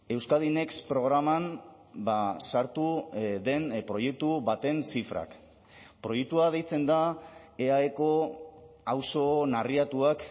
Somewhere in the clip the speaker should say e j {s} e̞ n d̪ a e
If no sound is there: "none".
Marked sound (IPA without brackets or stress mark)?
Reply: t͡s